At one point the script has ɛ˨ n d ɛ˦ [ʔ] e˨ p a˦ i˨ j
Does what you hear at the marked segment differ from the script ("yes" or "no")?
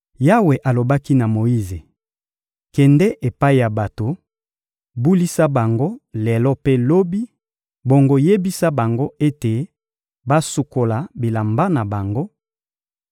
no